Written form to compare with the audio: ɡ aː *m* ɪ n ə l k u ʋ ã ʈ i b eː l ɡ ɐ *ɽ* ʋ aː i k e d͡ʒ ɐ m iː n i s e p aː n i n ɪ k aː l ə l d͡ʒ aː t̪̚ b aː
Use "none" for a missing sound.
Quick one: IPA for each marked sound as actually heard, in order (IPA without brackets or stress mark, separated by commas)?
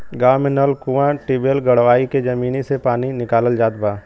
m, ɽ